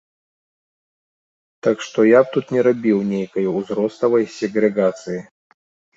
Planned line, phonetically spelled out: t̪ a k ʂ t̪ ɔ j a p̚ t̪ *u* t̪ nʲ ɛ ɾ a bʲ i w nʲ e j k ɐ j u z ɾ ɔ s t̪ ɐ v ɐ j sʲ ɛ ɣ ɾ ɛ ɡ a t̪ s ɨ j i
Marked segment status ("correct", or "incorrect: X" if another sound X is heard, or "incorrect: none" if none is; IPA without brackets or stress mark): correct